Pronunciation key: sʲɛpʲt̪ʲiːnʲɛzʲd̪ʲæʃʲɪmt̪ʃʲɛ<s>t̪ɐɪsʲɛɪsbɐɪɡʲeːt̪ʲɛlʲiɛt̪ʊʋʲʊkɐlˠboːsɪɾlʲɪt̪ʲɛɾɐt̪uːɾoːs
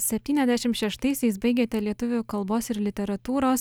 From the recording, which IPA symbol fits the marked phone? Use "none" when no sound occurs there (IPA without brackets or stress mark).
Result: ʃ